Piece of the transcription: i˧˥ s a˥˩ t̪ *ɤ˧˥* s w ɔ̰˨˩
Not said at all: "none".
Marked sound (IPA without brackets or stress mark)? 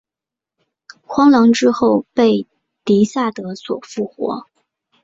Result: ɤ˧˥